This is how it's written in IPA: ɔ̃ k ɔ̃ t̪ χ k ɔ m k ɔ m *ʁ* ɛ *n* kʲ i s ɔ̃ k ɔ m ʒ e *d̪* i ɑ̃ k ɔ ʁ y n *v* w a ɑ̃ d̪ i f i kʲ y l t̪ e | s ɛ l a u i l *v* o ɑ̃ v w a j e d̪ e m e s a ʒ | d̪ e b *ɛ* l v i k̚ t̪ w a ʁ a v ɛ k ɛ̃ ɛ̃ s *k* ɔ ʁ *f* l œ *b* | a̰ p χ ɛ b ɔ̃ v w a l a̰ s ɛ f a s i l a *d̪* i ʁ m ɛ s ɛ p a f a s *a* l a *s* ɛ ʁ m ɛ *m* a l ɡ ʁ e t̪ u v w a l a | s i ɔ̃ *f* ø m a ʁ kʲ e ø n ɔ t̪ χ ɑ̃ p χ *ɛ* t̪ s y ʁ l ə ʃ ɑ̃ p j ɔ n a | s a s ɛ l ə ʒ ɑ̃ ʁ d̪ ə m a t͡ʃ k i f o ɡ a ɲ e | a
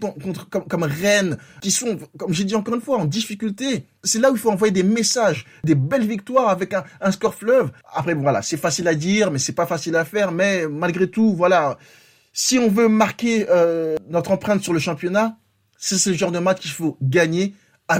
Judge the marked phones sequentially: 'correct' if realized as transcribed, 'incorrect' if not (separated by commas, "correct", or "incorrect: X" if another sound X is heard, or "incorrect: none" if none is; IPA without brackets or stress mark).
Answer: correct, correct, correct, incorrect: f, incorrect: f, correct, correct, correct, incorrect: v, correct, incorrect: i, incorrect: f, correct, incorrect: v, incorrect: ɛ̃